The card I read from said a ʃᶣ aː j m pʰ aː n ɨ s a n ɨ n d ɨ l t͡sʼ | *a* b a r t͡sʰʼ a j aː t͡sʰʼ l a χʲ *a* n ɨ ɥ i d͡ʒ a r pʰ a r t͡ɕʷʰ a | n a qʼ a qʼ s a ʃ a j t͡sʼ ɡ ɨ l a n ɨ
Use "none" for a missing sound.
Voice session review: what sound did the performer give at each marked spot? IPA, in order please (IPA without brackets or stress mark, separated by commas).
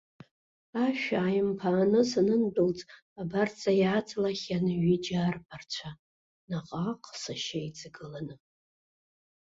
a, a